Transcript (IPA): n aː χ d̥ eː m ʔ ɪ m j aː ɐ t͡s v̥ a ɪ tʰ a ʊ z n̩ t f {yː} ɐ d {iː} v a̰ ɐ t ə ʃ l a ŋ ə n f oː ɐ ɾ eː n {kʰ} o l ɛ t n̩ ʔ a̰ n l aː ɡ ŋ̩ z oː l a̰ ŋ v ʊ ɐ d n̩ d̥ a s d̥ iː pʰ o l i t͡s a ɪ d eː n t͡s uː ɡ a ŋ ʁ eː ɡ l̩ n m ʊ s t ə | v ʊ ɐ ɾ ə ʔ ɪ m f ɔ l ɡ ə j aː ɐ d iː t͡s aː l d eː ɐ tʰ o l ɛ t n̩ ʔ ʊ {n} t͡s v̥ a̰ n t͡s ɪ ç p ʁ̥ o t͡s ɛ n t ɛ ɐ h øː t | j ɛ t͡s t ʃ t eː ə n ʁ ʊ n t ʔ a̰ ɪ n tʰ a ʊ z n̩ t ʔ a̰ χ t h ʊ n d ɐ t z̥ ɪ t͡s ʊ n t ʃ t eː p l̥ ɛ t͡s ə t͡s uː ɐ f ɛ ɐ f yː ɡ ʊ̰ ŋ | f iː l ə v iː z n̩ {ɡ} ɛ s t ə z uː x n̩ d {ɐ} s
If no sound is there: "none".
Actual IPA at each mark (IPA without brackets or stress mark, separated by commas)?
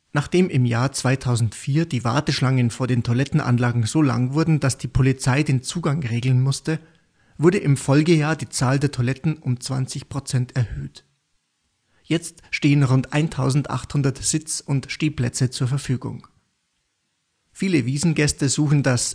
iː, iː, tʰ, m, ɡ, a